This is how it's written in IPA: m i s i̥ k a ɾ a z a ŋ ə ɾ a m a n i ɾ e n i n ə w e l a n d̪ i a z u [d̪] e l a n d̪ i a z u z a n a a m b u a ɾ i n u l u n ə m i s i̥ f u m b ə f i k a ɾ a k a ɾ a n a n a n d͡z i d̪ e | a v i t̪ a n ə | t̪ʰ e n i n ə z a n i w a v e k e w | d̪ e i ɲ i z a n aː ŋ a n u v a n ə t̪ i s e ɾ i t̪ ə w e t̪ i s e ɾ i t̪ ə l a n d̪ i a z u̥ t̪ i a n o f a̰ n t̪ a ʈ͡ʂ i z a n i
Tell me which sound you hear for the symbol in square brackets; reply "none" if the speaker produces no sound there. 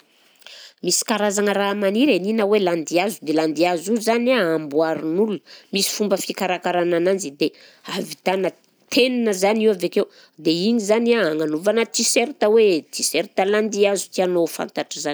d̪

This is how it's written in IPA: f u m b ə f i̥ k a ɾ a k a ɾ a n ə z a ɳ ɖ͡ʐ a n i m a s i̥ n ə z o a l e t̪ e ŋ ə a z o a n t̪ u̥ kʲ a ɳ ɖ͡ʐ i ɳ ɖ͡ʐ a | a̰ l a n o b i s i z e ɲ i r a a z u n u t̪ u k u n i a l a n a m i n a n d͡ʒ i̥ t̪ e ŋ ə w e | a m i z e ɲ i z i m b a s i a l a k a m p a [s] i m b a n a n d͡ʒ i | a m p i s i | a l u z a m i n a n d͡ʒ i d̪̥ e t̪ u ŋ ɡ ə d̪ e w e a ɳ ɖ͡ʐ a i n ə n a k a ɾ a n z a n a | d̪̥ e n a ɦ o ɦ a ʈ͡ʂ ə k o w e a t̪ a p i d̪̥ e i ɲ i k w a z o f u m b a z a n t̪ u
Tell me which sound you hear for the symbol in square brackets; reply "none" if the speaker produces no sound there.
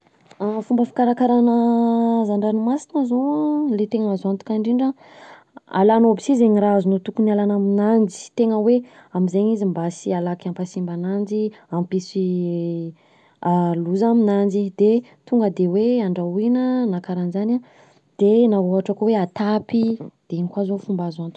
s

